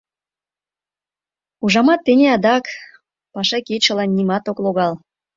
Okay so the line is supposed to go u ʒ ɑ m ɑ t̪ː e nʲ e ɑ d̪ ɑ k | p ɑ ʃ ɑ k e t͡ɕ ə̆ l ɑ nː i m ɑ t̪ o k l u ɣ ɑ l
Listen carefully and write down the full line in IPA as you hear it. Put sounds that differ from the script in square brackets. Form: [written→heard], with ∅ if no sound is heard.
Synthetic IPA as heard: u ʒ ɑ m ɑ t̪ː e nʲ e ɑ d̪ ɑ k | p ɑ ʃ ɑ k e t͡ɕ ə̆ l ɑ nː i m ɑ t̪ o k l [u→o] ɣ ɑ l